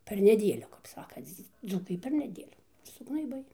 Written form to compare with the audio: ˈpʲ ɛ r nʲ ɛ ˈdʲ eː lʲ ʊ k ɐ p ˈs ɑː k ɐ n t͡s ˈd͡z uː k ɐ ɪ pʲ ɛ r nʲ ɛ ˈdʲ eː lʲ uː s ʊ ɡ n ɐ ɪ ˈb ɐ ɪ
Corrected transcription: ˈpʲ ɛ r nʲ ɛ ˈdʲ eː lʲ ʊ k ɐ p ˈs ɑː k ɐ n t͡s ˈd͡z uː k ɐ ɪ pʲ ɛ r nʲ ɛ ˈdʲ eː lʲ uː s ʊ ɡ n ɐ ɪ ˈb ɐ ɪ